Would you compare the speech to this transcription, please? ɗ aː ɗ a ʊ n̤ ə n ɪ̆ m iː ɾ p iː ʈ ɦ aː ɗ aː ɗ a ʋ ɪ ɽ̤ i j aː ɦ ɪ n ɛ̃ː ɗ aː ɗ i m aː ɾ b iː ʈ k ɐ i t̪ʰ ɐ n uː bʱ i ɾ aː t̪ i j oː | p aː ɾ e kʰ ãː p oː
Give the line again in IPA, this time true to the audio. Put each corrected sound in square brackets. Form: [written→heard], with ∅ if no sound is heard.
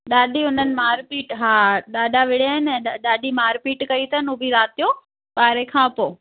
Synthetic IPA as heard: ɗ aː ɗ [a→i] ʊ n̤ ə n ɪ̆ m [iː→aː] ɾ p iː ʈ ɦ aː ɗ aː ɗ a ʋ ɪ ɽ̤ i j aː ɦ ɪ n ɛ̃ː ɗ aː ɗ i m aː ɾ [b→p] iː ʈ k ɐ i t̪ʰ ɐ n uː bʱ i ɾ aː t̪ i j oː | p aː ɾ e kʰ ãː p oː